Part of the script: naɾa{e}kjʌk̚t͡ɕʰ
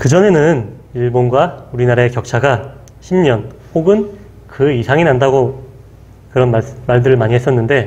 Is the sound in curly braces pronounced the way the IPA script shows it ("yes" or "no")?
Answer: yes